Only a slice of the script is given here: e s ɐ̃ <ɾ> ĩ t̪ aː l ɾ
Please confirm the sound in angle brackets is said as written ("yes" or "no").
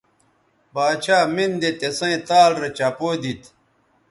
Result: no